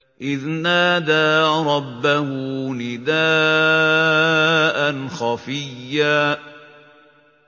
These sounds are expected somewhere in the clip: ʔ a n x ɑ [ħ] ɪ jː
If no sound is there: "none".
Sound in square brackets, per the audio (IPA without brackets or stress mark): f